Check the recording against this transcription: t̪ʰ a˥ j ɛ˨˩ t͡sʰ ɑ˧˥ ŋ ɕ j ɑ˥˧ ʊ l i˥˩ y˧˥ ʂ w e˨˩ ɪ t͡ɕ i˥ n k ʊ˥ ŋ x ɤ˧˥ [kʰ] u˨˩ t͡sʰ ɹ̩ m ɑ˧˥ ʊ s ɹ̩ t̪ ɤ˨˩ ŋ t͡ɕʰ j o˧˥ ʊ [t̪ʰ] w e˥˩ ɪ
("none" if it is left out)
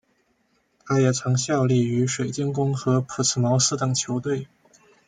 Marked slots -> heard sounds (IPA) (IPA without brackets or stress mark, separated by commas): pʰ, t̪